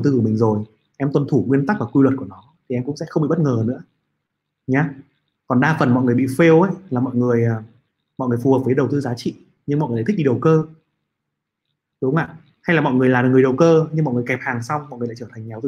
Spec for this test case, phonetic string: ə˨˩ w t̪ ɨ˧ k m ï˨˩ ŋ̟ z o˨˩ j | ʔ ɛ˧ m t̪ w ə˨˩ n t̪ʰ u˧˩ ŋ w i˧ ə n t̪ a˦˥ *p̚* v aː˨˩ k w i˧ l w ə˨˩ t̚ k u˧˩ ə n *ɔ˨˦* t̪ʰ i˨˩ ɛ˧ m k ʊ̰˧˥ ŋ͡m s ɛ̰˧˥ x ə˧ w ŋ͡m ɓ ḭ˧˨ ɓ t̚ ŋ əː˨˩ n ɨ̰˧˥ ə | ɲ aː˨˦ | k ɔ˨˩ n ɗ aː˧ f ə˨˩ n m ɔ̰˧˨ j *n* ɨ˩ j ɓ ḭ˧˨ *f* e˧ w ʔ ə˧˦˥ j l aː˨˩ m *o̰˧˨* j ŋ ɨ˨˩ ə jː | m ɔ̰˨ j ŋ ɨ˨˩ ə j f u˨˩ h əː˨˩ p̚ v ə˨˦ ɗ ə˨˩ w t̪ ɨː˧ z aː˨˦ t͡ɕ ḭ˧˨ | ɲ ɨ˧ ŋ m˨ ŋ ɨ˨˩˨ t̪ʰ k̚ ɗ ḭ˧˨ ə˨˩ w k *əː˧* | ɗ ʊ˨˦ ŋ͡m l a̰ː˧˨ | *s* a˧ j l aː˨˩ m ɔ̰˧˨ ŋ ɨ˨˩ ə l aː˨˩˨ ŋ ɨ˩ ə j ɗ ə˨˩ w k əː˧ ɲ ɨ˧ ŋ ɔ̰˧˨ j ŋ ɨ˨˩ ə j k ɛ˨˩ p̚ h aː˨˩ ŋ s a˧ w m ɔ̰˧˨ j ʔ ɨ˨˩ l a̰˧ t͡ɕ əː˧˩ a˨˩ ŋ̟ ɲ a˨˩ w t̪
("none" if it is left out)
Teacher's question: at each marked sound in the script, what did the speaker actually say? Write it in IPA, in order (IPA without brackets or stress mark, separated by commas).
k̚, ɔ˨˦, ŋ, f, ɔ̰˧˨, əː˧, h